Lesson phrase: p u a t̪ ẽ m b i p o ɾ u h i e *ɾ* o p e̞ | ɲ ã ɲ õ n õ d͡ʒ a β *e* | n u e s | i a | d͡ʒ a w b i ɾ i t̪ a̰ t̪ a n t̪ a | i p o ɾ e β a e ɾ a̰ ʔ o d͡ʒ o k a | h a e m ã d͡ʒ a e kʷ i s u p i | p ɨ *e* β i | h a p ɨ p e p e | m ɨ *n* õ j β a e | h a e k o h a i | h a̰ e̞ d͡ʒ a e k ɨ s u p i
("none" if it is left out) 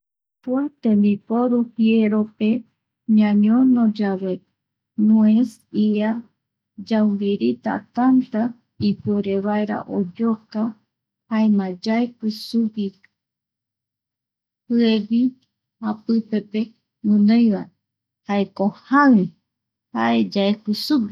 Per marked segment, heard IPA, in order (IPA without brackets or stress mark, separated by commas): ɾ, e, e, n